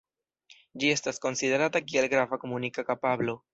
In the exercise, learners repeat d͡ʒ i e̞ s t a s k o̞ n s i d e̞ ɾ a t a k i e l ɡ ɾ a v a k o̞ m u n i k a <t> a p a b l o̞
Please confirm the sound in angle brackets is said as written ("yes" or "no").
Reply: no